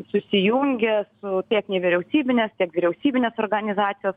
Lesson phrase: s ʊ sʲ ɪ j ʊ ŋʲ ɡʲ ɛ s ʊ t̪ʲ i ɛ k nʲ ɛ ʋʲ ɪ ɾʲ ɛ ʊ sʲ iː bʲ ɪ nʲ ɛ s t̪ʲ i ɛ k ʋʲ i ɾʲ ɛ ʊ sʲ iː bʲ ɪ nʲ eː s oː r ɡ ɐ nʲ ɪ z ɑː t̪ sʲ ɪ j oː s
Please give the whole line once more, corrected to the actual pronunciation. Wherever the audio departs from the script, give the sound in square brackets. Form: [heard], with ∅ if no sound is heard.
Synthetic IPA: s ʊ sʲ ɪ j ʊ ŋʲ ɡʲ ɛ s ʊ t̪ʲ i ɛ k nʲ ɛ ʋʲ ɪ ɾʲ ɛ ʊ sʲ iː bʲ ɪ nʲ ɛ s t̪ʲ i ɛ k ʋʲ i ɾʲ ɛ ʊ sʲ iː bʲ ɪ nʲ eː s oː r ɡ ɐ nʲ ɪ z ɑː t̪ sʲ ɪ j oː s